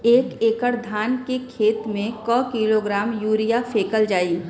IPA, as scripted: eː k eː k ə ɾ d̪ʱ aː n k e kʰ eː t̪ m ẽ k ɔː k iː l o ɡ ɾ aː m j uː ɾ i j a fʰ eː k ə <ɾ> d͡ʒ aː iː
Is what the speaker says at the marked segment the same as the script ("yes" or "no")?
no